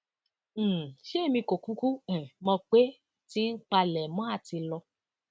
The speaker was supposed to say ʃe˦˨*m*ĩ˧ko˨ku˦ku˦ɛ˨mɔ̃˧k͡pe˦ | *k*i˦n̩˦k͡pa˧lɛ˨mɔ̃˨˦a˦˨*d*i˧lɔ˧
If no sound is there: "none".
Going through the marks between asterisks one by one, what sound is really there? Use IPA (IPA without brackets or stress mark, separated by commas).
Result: m, t, t